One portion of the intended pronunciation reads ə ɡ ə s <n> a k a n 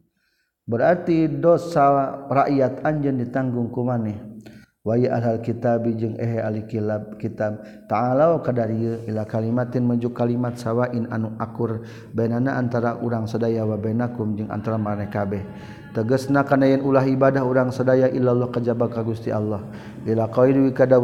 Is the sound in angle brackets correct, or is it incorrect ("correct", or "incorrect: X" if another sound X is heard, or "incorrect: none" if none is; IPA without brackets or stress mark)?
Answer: correct